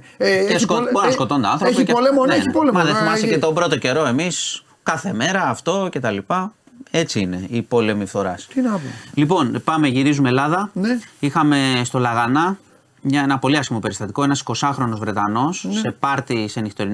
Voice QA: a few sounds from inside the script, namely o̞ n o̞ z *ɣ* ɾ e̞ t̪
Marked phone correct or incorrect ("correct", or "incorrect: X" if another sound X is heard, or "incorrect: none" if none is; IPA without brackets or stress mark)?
incorrect: v